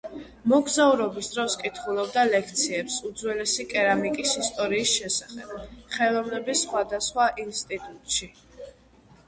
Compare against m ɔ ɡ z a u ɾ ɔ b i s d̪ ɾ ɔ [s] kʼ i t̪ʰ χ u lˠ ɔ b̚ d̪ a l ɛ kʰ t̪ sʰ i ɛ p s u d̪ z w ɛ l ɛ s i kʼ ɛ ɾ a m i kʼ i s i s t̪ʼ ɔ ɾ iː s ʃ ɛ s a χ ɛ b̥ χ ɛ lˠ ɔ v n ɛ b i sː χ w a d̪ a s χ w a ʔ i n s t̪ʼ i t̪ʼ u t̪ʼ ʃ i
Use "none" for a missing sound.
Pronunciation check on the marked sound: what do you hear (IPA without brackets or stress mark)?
s